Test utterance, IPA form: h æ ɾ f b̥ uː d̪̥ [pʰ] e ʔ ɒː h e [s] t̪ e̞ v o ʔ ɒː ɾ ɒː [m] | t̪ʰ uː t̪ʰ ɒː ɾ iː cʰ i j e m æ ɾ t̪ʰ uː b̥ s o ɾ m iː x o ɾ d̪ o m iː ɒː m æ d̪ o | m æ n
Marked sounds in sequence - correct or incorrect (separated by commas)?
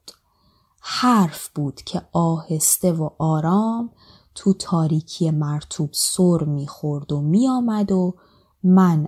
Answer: incorrect, correct, correct